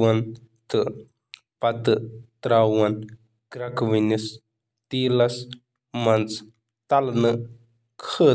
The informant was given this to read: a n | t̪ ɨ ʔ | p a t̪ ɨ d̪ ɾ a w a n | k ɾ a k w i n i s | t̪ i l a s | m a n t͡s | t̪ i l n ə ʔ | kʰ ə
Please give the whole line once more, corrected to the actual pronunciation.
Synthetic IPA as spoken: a n | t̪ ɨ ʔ | p a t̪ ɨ t̪ ɾ a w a n | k ɾ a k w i n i s | t̪ i l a s | m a n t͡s | t̪ a l n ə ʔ | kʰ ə